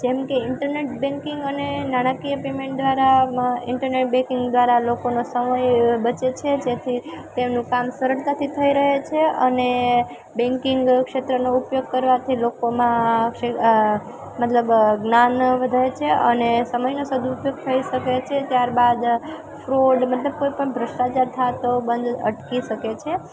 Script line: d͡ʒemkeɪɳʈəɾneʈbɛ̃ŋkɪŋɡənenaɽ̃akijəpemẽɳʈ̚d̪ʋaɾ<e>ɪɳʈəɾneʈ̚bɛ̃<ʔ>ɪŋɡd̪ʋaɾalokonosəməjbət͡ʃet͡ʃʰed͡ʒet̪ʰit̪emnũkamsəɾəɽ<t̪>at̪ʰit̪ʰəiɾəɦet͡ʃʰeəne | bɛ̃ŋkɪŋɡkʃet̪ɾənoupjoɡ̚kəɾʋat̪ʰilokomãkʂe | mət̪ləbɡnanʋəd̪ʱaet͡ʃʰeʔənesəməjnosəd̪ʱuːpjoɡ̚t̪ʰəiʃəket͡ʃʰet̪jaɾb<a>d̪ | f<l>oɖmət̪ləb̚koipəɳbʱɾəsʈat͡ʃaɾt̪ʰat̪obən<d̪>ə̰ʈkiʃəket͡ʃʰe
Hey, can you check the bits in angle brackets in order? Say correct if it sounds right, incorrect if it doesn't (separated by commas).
incorrect, incorrect, correct, correct, incorrect, correct